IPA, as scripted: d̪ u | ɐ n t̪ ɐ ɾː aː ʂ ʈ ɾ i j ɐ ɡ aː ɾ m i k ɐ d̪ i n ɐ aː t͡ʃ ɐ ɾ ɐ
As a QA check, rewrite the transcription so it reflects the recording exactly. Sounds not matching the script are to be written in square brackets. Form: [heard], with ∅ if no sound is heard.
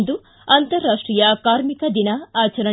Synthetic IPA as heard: d̪ u | ɐ n t̪ ɐ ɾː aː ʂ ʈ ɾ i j ɐ [k] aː ɾ m i k ɐ d̪ i n ɐ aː t͡ʃ ɐ ɾ ɐ